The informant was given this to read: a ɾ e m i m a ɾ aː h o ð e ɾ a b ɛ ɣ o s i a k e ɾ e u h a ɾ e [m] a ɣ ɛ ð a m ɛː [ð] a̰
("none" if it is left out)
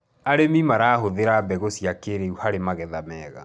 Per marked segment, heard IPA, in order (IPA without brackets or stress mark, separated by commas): m, ɣ